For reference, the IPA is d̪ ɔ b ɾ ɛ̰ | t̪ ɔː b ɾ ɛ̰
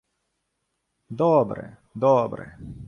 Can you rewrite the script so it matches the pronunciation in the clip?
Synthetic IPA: d̪ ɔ b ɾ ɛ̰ | d̪ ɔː b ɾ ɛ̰